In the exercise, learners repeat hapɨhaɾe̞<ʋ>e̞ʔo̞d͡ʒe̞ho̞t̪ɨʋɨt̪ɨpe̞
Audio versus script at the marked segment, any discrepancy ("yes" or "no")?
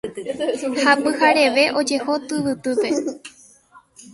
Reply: no